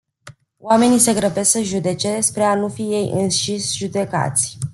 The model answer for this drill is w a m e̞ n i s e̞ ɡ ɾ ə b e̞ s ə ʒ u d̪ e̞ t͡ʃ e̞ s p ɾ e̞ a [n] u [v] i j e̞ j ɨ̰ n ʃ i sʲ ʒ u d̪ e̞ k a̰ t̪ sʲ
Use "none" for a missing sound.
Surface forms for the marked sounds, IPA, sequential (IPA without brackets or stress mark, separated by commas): n, f